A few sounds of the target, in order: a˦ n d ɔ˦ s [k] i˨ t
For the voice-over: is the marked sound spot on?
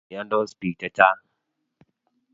no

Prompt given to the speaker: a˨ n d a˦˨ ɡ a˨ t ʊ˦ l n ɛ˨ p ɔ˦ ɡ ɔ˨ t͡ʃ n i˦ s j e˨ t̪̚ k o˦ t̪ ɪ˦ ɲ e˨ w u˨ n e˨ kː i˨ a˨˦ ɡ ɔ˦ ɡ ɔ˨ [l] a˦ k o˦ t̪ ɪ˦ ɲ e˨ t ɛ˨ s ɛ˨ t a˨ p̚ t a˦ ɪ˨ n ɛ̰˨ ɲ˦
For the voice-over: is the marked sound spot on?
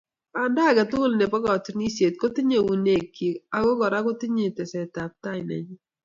no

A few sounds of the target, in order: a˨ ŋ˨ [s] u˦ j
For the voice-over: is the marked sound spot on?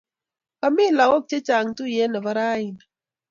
no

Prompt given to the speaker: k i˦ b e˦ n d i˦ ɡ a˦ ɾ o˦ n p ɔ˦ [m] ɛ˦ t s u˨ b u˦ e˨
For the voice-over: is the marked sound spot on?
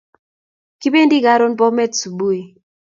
yes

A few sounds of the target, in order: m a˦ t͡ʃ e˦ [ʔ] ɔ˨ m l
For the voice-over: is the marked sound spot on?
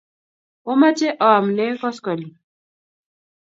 yes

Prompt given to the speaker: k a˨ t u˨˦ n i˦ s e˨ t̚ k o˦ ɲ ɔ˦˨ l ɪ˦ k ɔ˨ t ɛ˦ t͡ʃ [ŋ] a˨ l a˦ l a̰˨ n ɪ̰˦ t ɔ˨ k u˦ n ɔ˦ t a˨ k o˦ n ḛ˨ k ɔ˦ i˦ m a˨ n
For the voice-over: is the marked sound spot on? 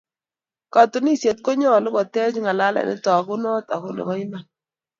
yes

